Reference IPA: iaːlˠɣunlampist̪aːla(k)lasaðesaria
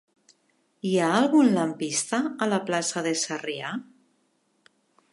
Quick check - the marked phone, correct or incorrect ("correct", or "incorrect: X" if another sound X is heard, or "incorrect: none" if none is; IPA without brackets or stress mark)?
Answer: incorrect: p